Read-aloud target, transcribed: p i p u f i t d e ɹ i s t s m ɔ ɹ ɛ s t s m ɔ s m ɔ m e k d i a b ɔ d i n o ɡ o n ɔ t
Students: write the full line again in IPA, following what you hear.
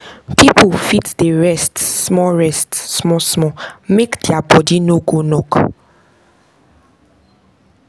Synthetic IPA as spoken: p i p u f i t d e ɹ ɛ s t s m ɔ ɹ ɛ s t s m ɔ s m ɔ m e k d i a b ɔ d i n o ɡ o n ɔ k

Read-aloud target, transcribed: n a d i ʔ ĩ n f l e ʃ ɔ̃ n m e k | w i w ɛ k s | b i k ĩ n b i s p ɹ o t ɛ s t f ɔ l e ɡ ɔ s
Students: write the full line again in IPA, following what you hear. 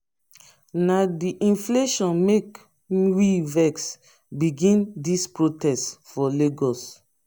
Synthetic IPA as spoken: n a d i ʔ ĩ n f l e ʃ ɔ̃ n m e k | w i v ɛ k s | b i ɡ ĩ n d i s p ɹ o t ɛ s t f ɔ l e ɡ ɔ s

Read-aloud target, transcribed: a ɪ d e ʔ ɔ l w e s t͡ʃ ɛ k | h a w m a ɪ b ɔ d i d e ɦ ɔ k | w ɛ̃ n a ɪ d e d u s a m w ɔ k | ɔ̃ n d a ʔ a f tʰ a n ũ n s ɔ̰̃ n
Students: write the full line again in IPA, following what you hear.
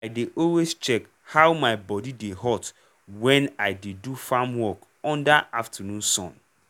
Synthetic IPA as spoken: a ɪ d e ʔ ɔ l w e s t͡ʃ ɛ k | h a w m a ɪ b ɔ d i d e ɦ ɔ t | w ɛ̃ n a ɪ d e d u f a m w ɔ k | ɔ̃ n d a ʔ a f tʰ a n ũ n s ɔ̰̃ n

